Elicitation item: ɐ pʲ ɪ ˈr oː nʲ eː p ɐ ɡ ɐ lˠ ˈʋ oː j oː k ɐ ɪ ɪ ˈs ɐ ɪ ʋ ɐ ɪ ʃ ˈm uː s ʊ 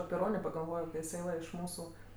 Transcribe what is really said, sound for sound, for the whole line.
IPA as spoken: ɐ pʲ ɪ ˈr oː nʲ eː p ɐ ɡ ɐ lˠ ˈʋ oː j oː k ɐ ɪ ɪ ˈs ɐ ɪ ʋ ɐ ɪ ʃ ˈm uː s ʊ